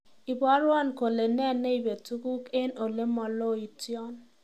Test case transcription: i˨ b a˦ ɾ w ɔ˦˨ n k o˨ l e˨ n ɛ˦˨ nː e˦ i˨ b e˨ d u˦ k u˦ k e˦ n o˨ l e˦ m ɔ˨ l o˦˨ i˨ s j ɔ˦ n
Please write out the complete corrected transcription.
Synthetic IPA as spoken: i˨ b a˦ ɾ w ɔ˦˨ n k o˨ l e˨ n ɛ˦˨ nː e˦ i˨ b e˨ t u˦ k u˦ k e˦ n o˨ l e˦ m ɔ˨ l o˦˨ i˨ t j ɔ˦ n